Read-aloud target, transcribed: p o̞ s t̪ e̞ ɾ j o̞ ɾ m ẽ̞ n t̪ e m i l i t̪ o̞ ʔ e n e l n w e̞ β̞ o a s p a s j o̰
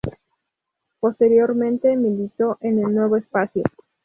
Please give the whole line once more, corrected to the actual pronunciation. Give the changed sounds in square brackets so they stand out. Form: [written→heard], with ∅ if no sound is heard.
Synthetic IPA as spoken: p o̞ s t̪ e̞ ɾ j o̞ ɾ m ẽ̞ n t̪ e m i l i t̪ o̞ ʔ e n e l n w e̞ β̞ o [a→e] s p a s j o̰